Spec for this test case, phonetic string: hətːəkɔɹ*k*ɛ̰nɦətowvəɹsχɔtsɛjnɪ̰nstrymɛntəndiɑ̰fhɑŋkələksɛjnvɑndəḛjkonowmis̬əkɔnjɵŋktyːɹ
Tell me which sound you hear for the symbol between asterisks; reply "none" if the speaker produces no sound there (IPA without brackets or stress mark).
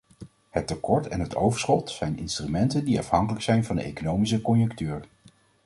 t